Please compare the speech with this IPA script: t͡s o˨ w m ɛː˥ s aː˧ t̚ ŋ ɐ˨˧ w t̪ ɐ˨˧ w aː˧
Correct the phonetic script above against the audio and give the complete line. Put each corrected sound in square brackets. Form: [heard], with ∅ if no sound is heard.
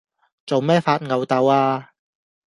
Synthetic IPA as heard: t͡s o˨ w m ɛː˥ [f] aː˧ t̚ ŋ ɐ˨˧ w t̪ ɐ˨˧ w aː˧